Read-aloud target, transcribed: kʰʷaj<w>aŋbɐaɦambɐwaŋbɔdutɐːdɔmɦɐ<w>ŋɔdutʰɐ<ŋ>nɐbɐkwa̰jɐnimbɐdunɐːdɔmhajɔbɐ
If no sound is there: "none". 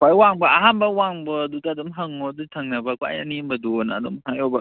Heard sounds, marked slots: w, none, ŋ

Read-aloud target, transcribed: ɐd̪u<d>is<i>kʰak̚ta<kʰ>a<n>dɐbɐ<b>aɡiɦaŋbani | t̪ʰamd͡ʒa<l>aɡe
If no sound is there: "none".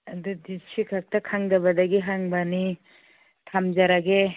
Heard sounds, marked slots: d, i, kʰ, ŋ, d, ɾ

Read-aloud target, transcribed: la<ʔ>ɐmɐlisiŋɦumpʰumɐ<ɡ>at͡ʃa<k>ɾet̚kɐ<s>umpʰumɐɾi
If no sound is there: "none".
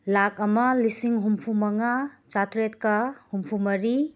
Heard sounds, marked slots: k, ŋ, t, h

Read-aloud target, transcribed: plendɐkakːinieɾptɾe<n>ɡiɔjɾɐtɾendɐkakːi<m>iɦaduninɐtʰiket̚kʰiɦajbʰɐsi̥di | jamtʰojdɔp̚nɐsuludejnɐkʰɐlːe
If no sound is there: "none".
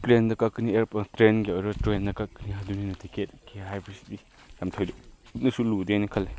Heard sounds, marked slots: n, n

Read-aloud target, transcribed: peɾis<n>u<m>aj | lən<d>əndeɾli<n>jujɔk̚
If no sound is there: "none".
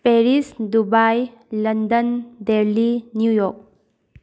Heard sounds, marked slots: d, b, d, n

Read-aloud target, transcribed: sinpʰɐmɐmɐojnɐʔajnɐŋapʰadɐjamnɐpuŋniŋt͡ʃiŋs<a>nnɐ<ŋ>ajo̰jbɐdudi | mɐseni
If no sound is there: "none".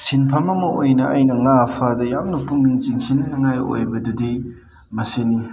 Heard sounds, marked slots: i, ŋ

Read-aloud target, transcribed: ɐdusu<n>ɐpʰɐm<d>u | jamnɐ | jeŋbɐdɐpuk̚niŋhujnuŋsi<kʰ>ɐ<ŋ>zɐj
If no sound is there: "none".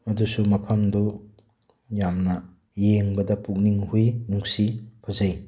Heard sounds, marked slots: m, d, pʰ, none

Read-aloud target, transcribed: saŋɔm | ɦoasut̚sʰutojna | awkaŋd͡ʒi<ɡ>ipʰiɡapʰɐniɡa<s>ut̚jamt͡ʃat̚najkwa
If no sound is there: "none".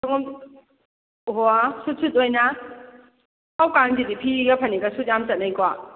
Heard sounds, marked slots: d, s

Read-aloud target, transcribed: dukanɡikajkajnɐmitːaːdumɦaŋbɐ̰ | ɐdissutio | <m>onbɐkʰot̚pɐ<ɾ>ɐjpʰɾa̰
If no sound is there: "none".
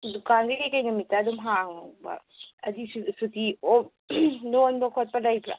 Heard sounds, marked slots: n, l

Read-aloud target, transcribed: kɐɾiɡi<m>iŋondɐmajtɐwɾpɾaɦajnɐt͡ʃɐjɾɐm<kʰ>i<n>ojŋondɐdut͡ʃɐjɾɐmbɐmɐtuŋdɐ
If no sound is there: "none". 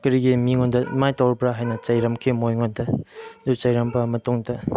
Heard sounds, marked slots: m, kʰ, m

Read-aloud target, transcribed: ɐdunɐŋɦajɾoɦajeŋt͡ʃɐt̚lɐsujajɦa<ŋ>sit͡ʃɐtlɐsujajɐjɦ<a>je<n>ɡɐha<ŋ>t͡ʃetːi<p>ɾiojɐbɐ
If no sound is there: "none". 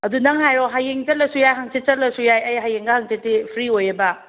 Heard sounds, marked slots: ŋ, a, ŋ, ŋ, pʰ

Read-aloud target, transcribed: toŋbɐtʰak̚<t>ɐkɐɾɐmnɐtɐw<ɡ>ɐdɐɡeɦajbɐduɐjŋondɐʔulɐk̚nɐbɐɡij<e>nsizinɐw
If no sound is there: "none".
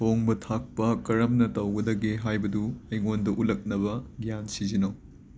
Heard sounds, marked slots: p, ɡ, a

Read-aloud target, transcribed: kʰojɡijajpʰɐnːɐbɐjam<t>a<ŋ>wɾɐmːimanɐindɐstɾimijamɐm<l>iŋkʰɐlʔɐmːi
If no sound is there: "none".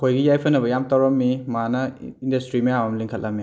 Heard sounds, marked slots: t, none, l

